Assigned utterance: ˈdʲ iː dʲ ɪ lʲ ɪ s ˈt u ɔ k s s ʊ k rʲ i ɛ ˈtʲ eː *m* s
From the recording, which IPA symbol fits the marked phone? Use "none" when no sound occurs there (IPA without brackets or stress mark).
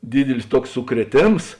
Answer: m